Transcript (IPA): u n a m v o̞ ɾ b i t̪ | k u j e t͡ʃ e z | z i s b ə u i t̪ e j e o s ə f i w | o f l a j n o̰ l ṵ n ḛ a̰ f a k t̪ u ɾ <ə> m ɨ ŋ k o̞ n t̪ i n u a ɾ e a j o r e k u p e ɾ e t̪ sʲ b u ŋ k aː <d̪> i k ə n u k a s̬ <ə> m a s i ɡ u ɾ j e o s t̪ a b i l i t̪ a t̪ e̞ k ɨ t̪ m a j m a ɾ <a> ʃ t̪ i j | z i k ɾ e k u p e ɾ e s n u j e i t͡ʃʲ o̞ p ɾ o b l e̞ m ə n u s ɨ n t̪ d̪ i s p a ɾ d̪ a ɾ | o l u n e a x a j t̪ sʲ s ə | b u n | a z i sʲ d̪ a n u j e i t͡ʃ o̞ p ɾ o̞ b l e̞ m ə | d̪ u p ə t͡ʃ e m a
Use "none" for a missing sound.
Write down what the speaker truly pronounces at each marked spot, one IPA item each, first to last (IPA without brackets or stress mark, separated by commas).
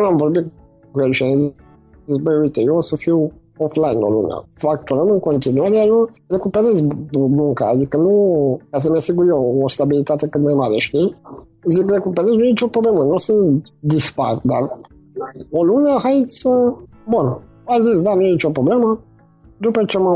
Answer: ə, d̪, ə, e